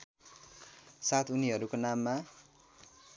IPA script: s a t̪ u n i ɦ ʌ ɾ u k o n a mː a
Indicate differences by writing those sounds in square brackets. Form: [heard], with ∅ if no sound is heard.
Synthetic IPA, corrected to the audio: s a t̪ u n i ɦ ʌ ɾ u k o n a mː a

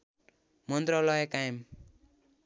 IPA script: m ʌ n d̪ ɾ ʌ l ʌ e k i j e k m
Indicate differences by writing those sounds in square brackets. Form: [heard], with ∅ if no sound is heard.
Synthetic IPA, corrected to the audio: m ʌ n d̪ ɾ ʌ l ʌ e k [a] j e [∅] m

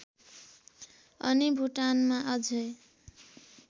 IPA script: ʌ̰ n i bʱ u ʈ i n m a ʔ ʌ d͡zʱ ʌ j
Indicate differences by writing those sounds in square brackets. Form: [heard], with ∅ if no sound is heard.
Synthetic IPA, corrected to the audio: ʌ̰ n i bʱ u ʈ [a] n m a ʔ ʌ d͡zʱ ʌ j

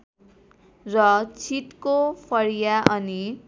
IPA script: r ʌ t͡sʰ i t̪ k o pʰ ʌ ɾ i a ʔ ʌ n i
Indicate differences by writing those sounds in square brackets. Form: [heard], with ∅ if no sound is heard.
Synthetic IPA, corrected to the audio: r ʌ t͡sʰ i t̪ k o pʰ ʌ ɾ [j] a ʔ ʌ n i

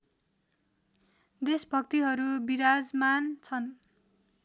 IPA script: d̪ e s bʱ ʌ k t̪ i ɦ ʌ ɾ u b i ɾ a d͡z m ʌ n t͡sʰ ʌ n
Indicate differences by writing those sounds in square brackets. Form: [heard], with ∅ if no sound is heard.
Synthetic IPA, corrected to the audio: d̪ e s bʱ ʌ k t̪ i ɦ ʌ ɾ u b i ɾ a d͡z m [a] n t͡sʰ ʌ n

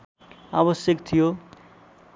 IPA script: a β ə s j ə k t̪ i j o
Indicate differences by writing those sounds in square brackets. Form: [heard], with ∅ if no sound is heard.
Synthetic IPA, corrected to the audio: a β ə s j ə k [t̪ʰ] i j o

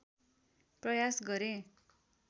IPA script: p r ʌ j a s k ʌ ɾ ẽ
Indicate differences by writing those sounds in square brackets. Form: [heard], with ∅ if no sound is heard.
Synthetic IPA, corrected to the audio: p r ʌ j a s [ɡ] ʌ ɾ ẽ

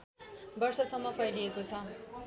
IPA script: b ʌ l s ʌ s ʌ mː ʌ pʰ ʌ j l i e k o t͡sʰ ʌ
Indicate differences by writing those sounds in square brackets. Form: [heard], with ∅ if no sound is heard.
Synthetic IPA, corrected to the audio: b ʌ [r] s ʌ s ʌ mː ʌ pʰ ʌ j l i e k o t͡sʰ ʌ

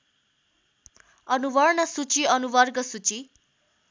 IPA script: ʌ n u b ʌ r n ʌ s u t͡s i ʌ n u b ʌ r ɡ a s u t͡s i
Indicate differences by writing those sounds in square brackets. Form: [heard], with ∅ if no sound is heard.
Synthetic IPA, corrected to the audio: ʌ n u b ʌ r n ʌ s u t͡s i ʌ n u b ʌ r ɡ [ʌ] s u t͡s i

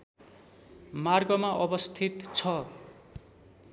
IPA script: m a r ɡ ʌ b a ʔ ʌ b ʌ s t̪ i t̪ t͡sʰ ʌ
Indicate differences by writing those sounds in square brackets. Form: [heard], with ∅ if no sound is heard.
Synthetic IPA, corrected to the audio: m a r ɡ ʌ [m] a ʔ ʌ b ʌ s [t̪ʰ] i t̪ t͡sʰ ʌ

